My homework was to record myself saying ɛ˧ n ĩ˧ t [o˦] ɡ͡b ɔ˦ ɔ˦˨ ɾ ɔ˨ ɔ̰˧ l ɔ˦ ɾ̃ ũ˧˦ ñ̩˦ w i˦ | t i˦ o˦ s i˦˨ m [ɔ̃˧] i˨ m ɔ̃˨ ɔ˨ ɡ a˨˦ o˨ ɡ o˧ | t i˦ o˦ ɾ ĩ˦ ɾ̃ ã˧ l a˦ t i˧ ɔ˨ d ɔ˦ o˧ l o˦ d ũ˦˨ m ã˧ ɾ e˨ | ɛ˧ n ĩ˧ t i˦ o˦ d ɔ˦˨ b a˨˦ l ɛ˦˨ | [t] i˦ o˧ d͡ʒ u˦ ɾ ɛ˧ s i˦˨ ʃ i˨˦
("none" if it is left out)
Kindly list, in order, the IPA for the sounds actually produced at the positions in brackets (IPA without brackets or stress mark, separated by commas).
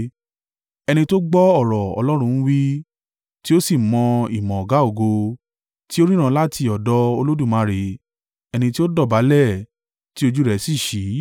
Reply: o˦, ɔ̃˧, t